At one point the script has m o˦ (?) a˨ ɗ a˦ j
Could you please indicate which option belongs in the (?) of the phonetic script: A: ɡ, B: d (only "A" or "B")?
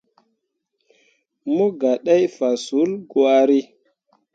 A